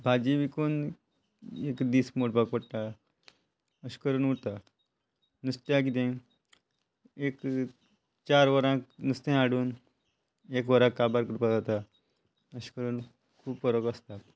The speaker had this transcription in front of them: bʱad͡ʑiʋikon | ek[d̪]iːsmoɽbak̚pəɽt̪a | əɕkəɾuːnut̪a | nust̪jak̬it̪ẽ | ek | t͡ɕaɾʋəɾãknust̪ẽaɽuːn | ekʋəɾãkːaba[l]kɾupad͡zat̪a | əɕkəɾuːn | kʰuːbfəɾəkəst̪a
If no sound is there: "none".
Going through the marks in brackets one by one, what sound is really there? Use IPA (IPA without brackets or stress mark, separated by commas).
d̪, ɾ